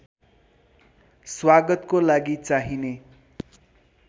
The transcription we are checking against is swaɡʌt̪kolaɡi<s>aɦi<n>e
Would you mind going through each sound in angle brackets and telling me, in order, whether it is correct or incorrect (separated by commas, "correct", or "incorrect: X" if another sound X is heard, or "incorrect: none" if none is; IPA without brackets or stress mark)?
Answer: incorrect: t͡s, correct